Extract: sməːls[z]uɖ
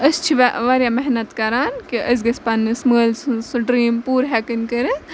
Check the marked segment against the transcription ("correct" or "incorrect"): incorrect